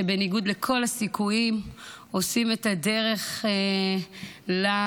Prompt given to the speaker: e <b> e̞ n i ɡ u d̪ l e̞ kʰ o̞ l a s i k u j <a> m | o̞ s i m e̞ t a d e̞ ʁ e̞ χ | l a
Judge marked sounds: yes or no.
yes, no

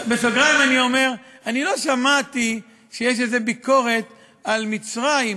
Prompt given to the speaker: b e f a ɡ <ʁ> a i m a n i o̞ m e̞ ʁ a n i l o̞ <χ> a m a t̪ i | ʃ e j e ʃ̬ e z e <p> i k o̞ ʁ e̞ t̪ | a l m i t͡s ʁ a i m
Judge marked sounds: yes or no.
yes, no, no

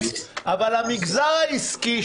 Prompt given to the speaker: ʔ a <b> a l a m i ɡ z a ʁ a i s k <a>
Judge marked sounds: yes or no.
no, no

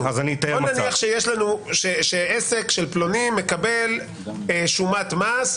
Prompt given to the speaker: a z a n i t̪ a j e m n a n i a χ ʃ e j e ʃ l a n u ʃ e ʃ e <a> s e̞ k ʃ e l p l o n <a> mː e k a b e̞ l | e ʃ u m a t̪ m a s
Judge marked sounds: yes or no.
no, no

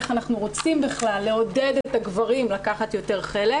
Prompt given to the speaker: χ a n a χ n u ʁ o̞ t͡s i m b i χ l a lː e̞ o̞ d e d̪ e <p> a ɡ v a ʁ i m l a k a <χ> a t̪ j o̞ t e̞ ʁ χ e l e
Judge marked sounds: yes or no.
no, yes

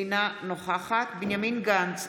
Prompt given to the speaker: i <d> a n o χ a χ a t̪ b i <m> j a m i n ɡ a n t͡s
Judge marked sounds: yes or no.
no, no

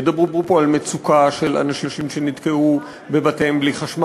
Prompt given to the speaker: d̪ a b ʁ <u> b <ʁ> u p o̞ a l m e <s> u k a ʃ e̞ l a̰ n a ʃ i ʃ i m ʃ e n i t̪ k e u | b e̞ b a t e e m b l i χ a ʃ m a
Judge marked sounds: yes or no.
yes, yes, no

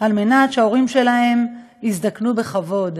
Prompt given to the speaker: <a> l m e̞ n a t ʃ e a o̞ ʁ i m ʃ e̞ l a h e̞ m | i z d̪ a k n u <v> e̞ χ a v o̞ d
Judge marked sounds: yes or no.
yes, no

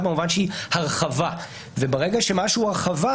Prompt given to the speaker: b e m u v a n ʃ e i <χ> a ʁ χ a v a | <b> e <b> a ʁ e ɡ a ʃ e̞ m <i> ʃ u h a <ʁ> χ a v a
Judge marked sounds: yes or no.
no, no, yes, no, yes

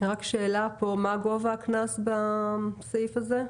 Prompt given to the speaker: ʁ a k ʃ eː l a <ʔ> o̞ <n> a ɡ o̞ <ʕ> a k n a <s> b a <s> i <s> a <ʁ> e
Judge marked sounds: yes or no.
no, no, no, yes, yes, no, no

